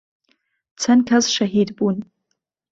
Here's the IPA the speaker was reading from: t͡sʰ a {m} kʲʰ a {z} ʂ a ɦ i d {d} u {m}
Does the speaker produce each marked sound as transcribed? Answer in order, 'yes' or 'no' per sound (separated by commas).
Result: no, yes, no, no